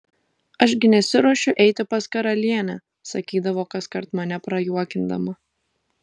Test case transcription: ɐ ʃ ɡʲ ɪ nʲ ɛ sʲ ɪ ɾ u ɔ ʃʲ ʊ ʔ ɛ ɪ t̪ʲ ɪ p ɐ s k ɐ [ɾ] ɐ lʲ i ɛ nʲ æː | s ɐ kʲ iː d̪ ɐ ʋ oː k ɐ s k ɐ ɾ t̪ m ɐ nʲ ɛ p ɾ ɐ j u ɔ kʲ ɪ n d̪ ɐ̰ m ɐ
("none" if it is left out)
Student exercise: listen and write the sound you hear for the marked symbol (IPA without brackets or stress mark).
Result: ɾ